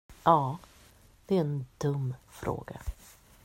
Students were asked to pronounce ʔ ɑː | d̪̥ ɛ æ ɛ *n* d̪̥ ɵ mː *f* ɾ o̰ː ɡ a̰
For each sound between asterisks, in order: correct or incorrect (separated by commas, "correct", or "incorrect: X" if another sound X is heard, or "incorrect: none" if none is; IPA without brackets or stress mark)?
correct, correct